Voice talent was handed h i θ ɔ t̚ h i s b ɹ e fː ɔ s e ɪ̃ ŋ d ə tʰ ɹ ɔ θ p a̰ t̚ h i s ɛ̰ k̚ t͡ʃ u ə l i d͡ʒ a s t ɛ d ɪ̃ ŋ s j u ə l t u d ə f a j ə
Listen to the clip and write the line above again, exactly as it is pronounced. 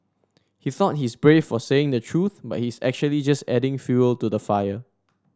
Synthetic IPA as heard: h i θ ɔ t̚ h i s b ɹ e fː ɔ s e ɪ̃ ŋ d ə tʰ ɹ u θ b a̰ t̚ h i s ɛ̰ k̚ t͡ʃ u ə l i d͡ʒ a s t ɛ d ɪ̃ ŋ f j u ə l t u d ə f a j ə